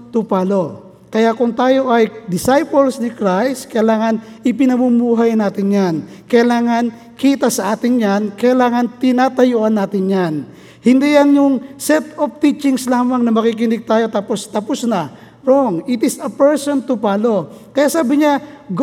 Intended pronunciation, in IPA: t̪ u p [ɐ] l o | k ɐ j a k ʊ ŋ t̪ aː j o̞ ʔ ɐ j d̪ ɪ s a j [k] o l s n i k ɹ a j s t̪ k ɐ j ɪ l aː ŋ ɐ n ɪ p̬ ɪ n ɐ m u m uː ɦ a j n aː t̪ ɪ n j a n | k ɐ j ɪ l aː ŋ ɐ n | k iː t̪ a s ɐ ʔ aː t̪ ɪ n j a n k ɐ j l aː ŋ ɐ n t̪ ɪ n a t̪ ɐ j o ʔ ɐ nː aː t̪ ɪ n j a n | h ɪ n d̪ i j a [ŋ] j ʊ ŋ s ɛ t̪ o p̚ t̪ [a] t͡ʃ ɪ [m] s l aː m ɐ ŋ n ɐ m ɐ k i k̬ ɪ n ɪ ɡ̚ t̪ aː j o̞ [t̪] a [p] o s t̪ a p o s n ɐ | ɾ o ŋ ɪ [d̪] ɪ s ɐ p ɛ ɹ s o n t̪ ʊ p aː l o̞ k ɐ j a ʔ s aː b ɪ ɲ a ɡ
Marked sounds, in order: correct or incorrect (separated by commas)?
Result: incorrect, incorrect, incorrect, incorrect, incorrect, correct, correct, incorrect